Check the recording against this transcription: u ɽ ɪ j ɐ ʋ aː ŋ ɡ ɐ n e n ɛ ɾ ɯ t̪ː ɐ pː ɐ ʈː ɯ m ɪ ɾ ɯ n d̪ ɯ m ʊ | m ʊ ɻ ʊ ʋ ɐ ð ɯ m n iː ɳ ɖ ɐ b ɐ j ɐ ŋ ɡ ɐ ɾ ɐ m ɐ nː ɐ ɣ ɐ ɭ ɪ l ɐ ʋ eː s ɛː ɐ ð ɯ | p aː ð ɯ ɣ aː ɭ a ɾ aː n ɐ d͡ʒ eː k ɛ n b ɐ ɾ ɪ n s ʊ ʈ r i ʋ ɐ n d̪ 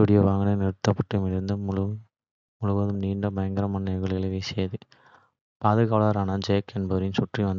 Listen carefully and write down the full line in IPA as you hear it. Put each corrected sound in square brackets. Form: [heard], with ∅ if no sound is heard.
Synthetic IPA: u ɽ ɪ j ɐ ʋ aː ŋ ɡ ɐ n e n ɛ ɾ ɯ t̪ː ɐ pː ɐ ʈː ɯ m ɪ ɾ ɯ n d̪ ɯ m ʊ | m ʊ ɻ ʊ ʋ ɐ ð ɯ m n iː ɳ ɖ ɐ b ɐ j ɐ ŋ ɡ ɐ ɾ ɐ m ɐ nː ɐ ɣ ɐ ɭ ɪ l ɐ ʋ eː s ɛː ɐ ð ɯ | p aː ð ɯ ɣ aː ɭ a ɾ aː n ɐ d͡ʒ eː k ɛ n b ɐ ɾ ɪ n s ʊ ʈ r i ʋ ɐ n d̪

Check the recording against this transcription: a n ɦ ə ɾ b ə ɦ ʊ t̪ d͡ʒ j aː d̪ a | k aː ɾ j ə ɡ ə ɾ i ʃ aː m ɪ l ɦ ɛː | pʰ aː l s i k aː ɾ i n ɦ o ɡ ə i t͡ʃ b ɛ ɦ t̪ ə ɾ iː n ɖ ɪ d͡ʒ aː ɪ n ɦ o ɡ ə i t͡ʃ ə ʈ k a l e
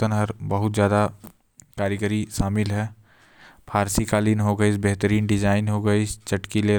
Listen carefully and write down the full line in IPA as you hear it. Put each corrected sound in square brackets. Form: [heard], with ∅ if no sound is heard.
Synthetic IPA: [ə] n ɦ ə ɾ b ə ɦ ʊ t̪ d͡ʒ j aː d̪ a | k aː ɾ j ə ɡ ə ɾ i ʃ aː m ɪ l ɦ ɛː | pʰ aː [ɾ] s i k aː [l] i n ɦ o ɡ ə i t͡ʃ b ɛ ɦ t̪ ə ɾ iː n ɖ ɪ d͡ʒ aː ɪ n ɦ o ɡ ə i t͡ʃ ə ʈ k [i] l e

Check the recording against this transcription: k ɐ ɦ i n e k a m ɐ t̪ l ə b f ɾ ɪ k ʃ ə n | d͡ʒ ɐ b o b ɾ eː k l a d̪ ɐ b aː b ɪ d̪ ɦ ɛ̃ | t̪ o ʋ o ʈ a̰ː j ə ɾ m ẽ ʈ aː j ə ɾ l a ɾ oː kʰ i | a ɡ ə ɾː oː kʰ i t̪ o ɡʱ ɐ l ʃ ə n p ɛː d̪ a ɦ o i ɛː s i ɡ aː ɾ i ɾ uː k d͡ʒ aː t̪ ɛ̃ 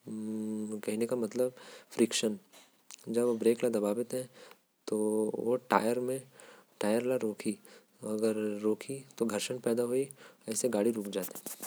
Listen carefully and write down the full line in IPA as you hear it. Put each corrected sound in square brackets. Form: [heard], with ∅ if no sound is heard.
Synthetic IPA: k ɐ ɦ i n e k a m ɐ t̪ l ə b f ɾ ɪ k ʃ ə n | d͡ʒ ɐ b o b ɾ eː k l a d̪ ɐ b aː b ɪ [t̪] ɦ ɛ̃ | t̪ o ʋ o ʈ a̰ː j ə ɾ m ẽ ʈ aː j ə ɾ l a ɾ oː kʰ i | [ɐ] ɡ ə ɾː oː kʰ i t̪ o ɡʱ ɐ [ɾ] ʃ ə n p ɛː d̪ a ɦ o i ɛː s [e] ɡ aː [ɽ] i ɾ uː k d͡ʒ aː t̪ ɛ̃

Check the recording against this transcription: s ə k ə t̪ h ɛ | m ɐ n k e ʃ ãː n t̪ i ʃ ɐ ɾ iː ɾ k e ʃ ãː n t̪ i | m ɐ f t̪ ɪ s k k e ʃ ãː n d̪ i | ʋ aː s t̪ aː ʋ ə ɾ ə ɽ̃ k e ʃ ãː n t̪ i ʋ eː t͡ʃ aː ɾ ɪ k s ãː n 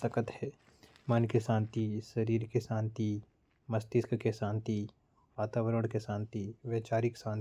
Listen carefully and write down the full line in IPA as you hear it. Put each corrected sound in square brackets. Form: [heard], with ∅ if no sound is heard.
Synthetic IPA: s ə k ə t̪ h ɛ | m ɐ n k e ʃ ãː n t̪ i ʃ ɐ ɾ iː ɾ k e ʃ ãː n t̪ i | m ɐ [s] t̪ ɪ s k k e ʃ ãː n [t̪] i | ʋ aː [∅] t̪ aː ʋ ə ɾ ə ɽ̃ k e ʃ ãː n t̪ i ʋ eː t͡ʃ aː ɾ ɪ k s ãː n

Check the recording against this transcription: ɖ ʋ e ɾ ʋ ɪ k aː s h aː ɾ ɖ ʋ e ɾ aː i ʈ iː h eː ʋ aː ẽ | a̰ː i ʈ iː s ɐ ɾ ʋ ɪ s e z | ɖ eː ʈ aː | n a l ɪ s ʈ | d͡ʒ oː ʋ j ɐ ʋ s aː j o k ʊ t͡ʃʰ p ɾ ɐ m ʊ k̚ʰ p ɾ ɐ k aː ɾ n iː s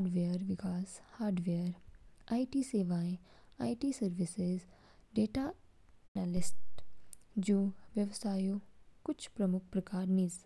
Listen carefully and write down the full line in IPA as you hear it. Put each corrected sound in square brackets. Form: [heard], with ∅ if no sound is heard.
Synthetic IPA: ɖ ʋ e ɾ ʋ ɪ k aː s h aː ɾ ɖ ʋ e ɾ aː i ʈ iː [s] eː ʋ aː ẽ | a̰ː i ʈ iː s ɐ ɾ ʋ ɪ s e z | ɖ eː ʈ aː | n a l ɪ s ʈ | d͡ʒ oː ʋ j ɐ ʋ s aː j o k ʊ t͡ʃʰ p ɾ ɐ m ʊ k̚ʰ p ɾ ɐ k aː ɾ n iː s

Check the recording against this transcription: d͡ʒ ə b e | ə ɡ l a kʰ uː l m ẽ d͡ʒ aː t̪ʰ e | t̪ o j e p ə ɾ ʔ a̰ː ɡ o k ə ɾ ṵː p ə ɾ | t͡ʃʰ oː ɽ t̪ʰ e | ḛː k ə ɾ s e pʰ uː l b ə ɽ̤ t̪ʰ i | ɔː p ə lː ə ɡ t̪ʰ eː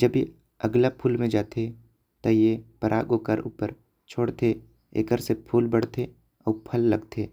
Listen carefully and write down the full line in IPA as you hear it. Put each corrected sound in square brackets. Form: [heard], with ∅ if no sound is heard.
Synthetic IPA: d͡ʒ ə b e | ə ɡ l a [pʰ] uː l m ẽ d͡ʒ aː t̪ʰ e | t̪ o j e p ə ɾ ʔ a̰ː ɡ o k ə ɾ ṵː p ə ɾ | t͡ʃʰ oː ɽ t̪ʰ e | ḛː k ə ɾ s e pʰ uː l b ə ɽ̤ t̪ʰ [e] | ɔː [pʰ] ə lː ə ɡ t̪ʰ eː

